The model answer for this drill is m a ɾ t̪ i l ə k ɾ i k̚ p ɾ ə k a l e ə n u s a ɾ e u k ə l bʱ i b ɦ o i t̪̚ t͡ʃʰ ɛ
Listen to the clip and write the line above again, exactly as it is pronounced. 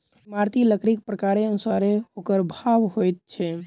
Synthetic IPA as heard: m a ɾ t̪ i l ə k ɾ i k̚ p ɾ ə k a ɾ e ə n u s a ɾ e o k ə ɾ bʱ a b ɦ o j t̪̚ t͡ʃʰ ɛ